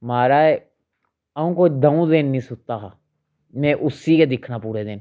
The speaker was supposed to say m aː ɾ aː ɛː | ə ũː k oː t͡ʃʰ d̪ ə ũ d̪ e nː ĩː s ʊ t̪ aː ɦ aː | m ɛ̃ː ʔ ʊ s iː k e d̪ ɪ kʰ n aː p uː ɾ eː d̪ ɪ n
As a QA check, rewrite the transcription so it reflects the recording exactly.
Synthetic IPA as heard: m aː ɾ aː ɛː | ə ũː k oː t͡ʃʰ d̪ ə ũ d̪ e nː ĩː s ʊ t̪ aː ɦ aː | m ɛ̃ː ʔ ʊ s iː k e d̪ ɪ kʰ n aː p uː ɾ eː d̪ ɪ n